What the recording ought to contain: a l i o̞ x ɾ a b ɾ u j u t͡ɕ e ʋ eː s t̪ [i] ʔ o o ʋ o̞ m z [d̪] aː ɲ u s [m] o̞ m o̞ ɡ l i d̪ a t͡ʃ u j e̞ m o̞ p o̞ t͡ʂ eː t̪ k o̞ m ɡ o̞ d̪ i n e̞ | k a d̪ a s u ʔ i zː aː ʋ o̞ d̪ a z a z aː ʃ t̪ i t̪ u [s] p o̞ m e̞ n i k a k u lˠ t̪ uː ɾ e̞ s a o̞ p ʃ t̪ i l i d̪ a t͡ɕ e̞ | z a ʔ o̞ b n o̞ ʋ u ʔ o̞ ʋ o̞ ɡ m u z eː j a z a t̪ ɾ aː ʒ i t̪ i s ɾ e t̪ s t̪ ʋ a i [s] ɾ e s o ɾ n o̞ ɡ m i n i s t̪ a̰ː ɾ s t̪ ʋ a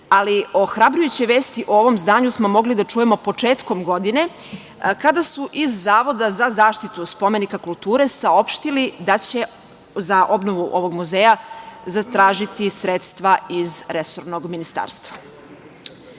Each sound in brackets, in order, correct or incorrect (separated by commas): correct, correct, correct, correct, incorrect